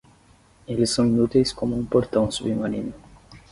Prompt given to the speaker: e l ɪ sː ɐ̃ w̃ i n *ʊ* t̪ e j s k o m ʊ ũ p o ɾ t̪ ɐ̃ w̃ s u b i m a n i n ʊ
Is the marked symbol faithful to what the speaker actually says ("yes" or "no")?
no